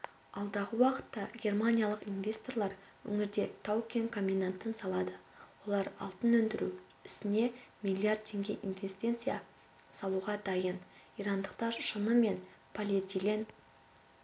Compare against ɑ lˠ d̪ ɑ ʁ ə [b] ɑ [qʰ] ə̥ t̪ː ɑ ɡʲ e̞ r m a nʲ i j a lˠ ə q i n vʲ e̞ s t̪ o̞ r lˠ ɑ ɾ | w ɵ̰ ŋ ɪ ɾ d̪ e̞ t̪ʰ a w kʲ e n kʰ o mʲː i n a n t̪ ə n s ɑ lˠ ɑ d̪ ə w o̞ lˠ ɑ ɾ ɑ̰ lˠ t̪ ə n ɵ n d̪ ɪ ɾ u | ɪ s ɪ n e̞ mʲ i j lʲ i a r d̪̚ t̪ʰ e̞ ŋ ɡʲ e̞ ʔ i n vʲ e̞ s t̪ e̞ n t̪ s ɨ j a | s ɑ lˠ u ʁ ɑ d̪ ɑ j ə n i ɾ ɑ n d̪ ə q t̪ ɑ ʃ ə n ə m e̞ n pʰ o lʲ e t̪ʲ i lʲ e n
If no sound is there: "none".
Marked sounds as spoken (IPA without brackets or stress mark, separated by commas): w, q